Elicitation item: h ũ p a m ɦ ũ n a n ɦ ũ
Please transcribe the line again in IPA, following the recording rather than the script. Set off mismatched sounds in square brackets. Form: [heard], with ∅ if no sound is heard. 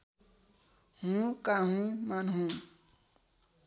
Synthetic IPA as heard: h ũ [k] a [∅] ɦ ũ [m] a n ɦ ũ